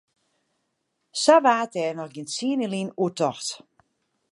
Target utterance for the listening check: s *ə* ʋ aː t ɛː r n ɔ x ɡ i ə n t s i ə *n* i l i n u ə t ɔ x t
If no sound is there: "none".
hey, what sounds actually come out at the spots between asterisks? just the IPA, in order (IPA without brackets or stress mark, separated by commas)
a, n